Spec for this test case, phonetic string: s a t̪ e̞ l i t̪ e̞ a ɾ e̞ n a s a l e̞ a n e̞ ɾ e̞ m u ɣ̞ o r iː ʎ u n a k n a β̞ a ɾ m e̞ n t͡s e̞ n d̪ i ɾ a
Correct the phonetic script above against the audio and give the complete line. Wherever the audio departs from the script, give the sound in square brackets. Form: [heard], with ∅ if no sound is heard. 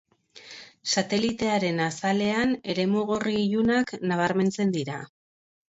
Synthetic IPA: s a t̪ e̞ l i t̪ e̞ a ɾ e̞ n a s a l e̞ a n e̞ ɾ e̞ m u ɣ̞ o r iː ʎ u n a k n a β̞ a ɾ m e̞ n t͡s e̞ n d̪ i ɾ a

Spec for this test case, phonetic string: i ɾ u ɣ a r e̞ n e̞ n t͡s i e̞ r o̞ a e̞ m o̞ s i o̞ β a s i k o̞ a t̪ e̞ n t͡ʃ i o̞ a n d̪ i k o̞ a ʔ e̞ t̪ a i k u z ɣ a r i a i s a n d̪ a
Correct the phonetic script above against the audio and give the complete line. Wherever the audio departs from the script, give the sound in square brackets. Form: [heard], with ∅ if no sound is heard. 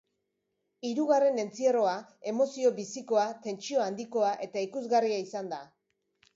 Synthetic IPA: i ɾ u ɣ a r e̞ n e̞ n t͡s i e̞ r o̞ a e̞ m o̞ s i o̞ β [i] s i k o̞ a t̪ e̞ n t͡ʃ i o̞ a n d̪ i k o̞ a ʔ e̞ t̪ a i k u z ɣ a r i a i s a n d̪ a

